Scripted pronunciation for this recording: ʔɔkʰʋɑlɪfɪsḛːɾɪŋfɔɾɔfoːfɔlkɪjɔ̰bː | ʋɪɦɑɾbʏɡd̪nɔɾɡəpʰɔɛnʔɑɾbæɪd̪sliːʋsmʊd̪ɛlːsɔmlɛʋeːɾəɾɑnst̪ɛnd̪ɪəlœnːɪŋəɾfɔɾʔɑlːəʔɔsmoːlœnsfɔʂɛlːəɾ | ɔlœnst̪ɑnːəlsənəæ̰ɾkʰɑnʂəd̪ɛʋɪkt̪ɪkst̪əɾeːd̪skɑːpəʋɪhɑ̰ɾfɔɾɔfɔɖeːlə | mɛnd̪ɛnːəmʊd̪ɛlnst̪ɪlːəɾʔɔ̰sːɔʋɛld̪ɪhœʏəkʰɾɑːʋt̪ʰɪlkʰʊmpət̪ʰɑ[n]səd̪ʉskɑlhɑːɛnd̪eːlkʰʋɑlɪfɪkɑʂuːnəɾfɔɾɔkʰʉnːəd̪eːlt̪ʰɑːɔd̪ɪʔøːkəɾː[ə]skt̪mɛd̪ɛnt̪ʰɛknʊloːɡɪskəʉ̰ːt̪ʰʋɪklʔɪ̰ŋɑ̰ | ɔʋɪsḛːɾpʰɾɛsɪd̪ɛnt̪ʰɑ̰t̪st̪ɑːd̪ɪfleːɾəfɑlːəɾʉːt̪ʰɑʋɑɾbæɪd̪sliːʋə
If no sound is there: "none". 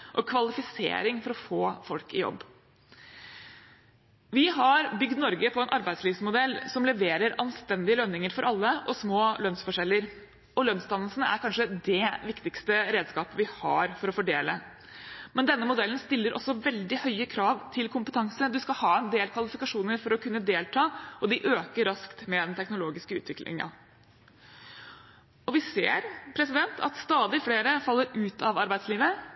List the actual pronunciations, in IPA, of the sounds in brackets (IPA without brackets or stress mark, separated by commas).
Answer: ŋ, ɑ